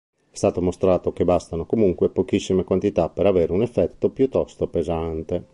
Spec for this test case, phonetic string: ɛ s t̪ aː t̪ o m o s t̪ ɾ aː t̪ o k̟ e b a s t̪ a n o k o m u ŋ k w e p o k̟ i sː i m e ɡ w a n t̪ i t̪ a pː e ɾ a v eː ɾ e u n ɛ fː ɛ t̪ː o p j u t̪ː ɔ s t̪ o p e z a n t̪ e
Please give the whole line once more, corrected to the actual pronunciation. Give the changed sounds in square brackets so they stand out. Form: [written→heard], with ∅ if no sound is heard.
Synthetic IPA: ɛ s t̪ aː t̪ o m o s t̪ ɾ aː t̪ o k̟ e b a s t̪ a n o k o m u ŋ k w e p o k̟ i sː i m e [ɡ→k] w a n t̪ i t̪ a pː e ɾ a v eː ɾ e u n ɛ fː ɛ t̪ː o p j u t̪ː ɔ s t̪ o p e z a n t̪ e